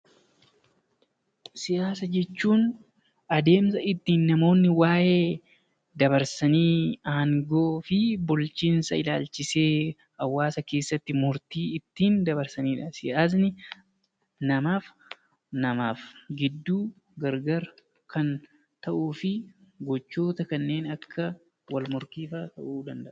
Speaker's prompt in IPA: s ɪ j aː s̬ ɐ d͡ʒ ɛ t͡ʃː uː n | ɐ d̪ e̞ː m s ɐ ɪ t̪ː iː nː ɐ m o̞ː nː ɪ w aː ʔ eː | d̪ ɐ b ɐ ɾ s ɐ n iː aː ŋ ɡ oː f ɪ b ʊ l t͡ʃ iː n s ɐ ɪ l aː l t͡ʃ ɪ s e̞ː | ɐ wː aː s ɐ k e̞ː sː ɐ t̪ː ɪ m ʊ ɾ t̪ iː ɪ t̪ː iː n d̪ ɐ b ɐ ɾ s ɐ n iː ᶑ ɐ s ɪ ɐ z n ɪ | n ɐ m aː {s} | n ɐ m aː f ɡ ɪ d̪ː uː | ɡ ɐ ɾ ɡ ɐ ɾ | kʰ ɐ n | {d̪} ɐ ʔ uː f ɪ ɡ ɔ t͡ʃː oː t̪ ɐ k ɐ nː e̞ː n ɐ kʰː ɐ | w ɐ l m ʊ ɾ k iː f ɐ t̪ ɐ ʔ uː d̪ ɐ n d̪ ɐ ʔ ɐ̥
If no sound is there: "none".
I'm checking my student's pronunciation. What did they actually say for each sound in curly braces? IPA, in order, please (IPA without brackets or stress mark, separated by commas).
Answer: f, t̪